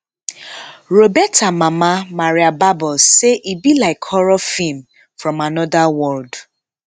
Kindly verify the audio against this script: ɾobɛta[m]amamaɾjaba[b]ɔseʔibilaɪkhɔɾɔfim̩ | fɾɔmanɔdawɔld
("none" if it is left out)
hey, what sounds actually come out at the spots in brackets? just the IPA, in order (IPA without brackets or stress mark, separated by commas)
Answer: m, b